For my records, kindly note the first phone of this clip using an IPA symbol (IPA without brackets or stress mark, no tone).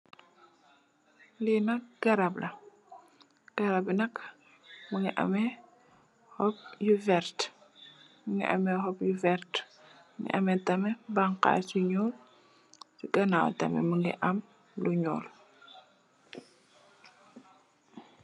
l